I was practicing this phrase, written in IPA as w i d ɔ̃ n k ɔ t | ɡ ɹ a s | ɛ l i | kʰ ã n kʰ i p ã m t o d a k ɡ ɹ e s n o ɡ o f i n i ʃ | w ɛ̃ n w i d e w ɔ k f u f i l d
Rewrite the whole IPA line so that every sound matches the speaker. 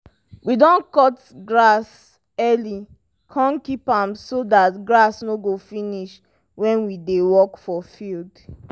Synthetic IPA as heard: w i d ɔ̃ n k ɔ t | ɡ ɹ a s | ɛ l i | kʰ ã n k i p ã m s o d a t ɡ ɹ a s n o ɡ o f i n i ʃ | w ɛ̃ n w i d e w ɔ k f ɔ f i l d